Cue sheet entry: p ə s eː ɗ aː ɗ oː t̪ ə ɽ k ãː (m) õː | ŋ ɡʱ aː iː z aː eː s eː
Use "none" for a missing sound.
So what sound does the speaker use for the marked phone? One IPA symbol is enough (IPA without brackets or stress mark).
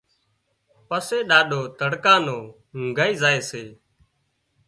n